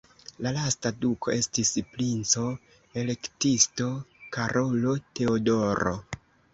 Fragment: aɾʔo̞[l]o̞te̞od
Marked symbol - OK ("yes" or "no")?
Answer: yes